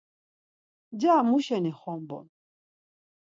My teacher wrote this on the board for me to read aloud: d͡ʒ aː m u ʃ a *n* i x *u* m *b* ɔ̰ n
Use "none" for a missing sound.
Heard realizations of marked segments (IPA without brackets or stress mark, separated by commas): n, ɔ, b